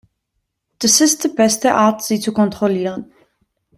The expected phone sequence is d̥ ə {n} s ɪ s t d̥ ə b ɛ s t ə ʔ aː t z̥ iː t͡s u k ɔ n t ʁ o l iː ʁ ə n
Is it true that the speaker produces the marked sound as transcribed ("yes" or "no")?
no